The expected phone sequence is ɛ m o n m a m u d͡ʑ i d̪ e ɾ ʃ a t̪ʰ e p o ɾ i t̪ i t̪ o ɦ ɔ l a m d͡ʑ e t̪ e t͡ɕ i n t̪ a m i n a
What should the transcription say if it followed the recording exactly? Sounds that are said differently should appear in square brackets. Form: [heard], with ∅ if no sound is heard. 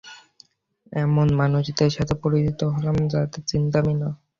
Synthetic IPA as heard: ɛ m o n m a [n] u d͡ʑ i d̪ e ɾ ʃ a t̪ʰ e p o ɾ i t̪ i t̪ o ɦ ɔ l a m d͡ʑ [a] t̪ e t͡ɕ i n t̪ a m i n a